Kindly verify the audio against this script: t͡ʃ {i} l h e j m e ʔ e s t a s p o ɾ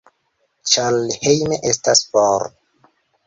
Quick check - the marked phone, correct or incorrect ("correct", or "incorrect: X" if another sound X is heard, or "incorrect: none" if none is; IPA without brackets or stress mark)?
incorrect: a